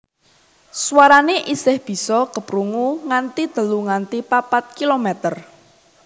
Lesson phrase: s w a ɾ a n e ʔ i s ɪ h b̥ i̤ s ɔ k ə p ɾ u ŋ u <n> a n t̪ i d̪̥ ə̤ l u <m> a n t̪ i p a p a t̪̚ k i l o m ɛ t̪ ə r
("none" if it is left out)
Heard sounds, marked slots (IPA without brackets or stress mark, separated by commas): ŋ, ŋ